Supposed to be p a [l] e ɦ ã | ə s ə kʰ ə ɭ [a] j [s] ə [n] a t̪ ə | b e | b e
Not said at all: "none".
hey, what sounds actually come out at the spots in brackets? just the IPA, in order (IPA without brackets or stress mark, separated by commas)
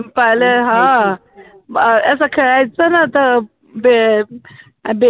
l, a, t͡s, n